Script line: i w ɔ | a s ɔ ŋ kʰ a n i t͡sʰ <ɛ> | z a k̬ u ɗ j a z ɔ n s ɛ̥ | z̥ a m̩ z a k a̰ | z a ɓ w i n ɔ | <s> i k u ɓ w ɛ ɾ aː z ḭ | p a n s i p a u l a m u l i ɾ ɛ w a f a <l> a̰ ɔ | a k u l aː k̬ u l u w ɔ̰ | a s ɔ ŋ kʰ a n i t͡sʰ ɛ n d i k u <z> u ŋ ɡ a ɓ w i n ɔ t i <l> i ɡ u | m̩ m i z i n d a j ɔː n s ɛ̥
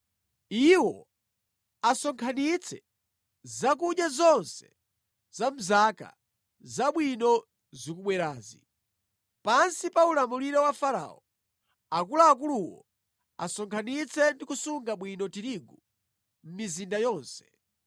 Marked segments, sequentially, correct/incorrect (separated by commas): correct, incorrect, incorrect, incorrect, incorrect